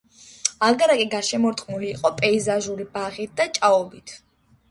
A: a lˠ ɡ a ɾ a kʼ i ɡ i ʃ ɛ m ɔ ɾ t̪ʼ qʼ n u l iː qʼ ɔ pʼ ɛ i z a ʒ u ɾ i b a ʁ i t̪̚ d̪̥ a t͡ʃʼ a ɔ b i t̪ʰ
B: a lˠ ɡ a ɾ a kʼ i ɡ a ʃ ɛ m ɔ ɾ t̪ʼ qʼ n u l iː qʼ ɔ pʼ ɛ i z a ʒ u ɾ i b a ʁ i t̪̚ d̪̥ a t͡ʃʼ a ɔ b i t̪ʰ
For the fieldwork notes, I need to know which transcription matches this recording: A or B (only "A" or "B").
B